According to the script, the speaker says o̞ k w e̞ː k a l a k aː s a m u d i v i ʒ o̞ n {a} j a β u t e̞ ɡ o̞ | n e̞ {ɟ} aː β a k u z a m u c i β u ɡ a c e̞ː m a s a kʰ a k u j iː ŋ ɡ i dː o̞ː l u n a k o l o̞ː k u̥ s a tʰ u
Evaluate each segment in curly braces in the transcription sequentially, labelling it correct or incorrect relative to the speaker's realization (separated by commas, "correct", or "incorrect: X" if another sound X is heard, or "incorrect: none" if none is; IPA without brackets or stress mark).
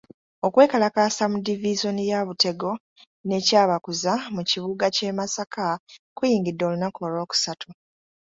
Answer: incorrect: i, incorrect: c